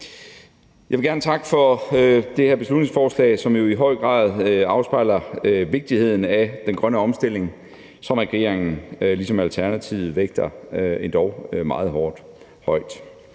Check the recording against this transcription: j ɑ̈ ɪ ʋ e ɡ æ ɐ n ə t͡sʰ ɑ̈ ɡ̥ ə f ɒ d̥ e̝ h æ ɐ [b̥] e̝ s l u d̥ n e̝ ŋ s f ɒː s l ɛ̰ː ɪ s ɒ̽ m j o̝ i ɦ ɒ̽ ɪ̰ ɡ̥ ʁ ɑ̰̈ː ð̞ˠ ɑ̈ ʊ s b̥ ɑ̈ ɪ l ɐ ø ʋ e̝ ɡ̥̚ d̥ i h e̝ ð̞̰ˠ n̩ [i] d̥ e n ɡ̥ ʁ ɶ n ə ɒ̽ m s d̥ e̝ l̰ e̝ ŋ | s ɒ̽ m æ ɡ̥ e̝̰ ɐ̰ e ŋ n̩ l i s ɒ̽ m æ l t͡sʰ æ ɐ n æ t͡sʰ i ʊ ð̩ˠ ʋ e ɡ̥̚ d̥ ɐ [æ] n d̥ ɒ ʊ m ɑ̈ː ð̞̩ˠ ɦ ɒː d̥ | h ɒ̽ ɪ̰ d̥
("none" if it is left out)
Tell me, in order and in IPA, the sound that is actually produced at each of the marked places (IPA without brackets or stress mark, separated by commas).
b̥, æ, e